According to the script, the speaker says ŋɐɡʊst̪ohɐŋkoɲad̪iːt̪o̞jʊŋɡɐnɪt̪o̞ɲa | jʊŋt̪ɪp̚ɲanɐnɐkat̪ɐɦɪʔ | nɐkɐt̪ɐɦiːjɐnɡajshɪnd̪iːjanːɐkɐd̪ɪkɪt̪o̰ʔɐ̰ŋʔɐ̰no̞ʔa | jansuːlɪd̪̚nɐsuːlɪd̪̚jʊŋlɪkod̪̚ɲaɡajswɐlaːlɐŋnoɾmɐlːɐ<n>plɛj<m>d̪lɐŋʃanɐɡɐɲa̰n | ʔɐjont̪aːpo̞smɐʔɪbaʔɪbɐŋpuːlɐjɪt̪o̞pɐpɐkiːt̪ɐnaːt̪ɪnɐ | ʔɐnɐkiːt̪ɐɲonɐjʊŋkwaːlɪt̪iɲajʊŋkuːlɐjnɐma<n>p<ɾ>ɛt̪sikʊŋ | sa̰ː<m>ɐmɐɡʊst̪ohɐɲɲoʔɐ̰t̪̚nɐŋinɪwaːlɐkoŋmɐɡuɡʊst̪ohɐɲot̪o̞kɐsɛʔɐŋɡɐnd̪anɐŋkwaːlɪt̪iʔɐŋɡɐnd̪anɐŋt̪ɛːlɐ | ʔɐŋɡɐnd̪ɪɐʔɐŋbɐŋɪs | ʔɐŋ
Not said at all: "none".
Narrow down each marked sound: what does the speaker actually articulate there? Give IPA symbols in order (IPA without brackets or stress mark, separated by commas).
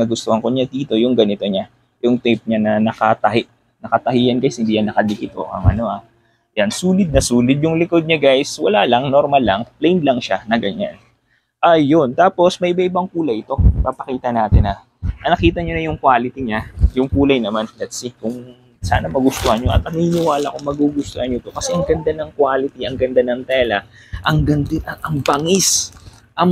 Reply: ŋ, n, n, l, n